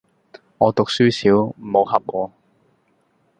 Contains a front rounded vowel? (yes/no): yes